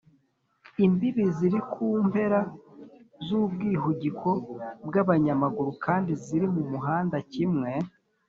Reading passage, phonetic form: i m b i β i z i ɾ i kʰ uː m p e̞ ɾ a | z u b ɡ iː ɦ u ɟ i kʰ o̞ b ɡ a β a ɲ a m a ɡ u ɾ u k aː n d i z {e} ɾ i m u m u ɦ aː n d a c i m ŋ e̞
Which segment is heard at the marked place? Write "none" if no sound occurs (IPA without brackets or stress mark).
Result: i